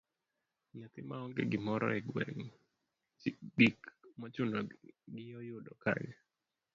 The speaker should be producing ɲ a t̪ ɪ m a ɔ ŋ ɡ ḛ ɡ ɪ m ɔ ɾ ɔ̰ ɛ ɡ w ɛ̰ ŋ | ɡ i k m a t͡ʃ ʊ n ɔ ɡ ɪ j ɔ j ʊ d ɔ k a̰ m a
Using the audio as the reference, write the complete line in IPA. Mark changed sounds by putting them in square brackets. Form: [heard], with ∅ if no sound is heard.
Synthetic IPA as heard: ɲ a t̪ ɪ m a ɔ ŋ ɡ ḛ ɡ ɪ m ɔ ɾ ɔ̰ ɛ ɡ w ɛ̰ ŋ | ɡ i k m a t͡ʃ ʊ n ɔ ɡ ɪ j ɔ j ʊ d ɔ k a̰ [ɲ] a